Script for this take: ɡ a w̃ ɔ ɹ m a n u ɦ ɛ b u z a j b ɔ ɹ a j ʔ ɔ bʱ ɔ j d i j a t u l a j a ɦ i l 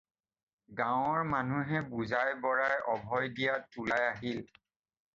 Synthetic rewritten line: ɡ a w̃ ɔ ɹ m a n u ɦ ɛ b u z a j b ɔ ɹ a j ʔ ɔ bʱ ɔ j d i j a t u l a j a ɦ i l